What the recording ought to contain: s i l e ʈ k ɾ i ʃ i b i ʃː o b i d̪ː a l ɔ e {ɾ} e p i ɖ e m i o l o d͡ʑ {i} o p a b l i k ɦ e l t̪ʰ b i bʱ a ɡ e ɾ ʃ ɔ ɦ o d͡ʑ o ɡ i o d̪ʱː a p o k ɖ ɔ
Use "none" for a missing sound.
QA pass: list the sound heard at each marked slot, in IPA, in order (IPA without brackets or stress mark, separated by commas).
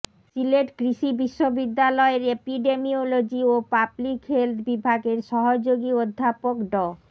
ɾ, i